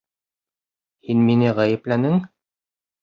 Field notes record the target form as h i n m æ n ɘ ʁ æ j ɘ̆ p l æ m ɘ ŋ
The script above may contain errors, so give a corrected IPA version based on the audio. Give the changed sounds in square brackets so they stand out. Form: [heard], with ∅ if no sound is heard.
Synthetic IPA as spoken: h i n m [i] n ɘ ʁ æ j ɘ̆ p l æ [n] ɘ ŋ